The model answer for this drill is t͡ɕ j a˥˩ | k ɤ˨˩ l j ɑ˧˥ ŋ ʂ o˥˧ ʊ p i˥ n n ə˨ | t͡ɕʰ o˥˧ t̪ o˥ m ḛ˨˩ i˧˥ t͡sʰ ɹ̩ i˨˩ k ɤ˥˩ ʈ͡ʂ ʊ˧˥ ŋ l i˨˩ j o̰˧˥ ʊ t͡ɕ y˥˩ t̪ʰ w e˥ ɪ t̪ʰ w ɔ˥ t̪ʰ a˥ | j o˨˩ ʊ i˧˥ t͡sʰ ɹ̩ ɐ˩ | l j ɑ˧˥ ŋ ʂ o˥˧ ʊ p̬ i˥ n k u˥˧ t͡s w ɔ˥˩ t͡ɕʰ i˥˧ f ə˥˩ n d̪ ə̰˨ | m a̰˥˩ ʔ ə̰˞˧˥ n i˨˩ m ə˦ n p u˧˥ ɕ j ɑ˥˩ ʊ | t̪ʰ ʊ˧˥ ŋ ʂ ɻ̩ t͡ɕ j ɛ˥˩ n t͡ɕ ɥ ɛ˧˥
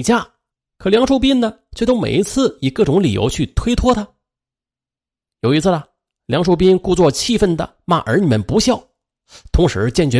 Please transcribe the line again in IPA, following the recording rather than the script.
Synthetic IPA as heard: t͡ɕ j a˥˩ | kʰ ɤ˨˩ l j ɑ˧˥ ŋ ʂ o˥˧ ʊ p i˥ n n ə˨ | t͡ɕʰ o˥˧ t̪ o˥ m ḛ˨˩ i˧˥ t͡sʰ ɹ̩ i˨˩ k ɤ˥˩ ʈ͡ʂ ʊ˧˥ ŋ l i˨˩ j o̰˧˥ ʊ t͡ɕʰ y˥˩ t̪ʰ w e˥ ɪ t̪ʰ w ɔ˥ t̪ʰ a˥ | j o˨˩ ʊ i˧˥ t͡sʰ ɹ̩ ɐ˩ | l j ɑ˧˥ ŋ ʂ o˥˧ ʊ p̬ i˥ n k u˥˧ t͡s w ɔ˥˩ t͡ɕʰ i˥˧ f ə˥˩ n d̪ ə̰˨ | m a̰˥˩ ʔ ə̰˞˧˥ n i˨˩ m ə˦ n p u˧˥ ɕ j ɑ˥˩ ʊ | t̪ʰ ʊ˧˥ ŋ ʂ ɻ̩ t͡ɕ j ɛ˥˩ n t͡ɕ ɥ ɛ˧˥